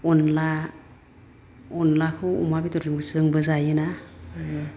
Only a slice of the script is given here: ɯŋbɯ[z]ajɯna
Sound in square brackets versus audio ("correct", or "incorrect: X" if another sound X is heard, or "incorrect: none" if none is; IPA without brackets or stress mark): correct